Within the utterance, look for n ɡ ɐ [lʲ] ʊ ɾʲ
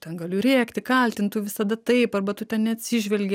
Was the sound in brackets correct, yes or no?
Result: yes